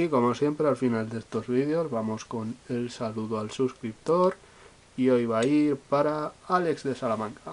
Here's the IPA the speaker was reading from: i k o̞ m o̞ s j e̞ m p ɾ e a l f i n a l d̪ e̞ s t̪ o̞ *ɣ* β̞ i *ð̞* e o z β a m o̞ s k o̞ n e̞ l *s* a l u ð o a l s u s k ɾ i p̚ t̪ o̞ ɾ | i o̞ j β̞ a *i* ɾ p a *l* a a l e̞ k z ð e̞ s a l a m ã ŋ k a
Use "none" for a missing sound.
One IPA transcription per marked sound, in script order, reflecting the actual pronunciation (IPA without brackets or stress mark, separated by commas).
z, ð̞, s, i, ɾ